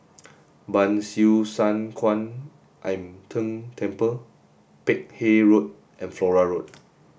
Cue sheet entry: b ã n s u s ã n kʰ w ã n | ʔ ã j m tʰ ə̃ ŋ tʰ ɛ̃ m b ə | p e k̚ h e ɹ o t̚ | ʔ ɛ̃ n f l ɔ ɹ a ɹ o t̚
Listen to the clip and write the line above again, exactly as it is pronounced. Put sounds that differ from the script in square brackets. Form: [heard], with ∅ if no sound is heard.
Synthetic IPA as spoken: b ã n s u s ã n kʰ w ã n | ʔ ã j m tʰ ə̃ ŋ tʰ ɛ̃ m [p] ə | p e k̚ h e ɹ o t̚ | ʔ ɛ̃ n f l ɔ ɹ a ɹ o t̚